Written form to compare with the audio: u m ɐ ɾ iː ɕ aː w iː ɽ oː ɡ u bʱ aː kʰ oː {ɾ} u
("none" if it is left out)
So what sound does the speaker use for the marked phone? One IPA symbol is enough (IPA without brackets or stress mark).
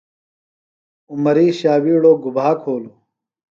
l